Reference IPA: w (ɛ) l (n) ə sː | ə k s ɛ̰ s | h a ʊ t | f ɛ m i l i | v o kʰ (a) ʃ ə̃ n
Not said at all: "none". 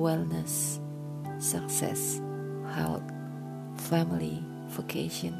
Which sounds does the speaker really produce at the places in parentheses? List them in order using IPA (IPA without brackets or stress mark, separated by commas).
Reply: ɛ, n, e